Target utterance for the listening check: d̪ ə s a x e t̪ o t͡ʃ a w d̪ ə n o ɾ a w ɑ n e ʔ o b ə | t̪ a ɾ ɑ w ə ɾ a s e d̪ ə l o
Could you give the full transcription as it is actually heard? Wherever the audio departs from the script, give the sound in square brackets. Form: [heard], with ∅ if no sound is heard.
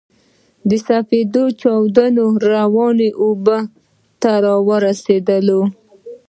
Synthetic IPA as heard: d̪ ə s a [f] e [d̪] o t͡ʃ [ɑ] w d̪ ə n o ɾ a w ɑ n e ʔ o b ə | t̪ a ɾ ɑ w ə ɾ a s e d̪ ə l o